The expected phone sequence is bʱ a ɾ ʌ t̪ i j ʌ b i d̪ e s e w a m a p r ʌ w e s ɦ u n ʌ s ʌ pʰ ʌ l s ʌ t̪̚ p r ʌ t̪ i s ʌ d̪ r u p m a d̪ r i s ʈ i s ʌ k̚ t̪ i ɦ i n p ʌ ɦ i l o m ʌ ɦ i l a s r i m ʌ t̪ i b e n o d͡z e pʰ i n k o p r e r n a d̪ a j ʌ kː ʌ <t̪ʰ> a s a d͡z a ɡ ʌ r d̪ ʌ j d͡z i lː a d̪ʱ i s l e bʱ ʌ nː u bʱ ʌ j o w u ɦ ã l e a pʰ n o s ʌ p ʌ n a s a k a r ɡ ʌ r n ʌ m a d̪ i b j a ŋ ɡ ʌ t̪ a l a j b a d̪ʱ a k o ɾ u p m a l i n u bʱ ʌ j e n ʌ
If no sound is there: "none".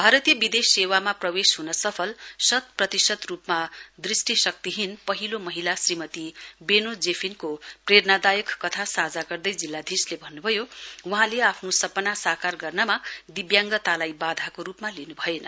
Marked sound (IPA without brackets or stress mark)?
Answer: t̪ʰ